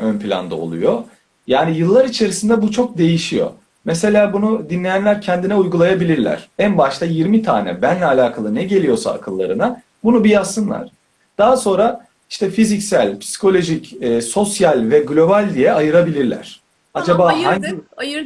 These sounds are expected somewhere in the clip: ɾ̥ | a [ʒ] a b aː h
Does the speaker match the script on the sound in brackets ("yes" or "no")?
no